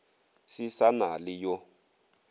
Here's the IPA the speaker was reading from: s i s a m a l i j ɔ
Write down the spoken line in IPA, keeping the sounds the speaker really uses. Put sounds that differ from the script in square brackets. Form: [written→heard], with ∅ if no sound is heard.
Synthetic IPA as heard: s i s a [m→n] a l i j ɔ